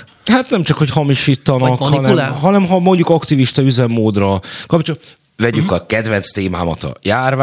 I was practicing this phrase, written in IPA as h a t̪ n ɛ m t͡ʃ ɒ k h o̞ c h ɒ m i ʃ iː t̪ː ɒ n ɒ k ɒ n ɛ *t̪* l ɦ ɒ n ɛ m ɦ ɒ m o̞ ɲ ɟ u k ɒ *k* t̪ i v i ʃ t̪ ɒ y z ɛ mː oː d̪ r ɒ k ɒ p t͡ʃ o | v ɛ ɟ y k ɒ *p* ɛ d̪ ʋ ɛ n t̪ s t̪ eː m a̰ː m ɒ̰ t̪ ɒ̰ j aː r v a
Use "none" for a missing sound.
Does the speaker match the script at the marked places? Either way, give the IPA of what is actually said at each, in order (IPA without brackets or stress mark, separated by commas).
none, k, k